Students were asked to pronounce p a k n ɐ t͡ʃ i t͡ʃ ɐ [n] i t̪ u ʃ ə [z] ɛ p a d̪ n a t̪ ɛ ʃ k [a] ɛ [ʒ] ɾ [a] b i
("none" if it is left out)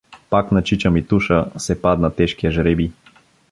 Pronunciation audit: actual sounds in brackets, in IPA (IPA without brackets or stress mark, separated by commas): m, s, i, ʒ, ɛ